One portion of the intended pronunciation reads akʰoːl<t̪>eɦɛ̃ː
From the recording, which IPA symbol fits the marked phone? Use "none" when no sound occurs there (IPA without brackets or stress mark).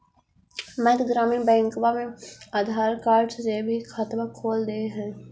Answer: d̪